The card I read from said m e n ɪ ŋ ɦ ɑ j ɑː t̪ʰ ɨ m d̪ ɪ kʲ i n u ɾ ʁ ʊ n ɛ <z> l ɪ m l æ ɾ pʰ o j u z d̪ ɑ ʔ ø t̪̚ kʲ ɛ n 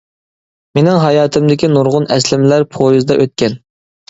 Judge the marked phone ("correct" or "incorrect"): incorrect